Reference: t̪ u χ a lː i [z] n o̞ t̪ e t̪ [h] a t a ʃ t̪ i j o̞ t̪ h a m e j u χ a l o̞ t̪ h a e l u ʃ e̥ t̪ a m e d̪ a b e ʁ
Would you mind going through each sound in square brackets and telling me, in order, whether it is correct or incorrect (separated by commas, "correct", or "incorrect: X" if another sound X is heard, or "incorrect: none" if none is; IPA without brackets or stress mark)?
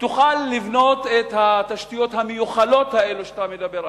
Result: incorrect: v, correct